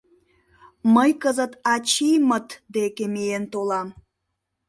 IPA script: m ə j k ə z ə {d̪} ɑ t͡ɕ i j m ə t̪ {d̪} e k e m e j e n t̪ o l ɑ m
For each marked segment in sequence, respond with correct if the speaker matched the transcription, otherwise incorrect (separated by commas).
incorrect, correct